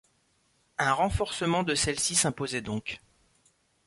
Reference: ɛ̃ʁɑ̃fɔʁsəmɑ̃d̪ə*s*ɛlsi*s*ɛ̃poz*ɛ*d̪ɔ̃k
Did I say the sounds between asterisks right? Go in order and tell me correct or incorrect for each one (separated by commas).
correct, correct, correct